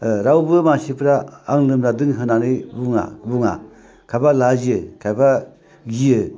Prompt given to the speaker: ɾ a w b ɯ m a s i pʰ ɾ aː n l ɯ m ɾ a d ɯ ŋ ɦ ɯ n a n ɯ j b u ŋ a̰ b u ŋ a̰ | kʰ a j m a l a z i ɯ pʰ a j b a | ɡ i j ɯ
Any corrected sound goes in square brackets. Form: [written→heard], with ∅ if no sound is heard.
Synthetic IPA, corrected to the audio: ɾ a w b ɯ m a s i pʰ ɾ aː [n→ŋ] l ɯ m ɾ a d ɯ ŋ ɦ ɯ n a n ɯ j b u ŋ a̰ b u ŋ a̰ | kʰ a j [m→b] a l a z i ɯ [pʰ→kʰ] a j b a | ɡ i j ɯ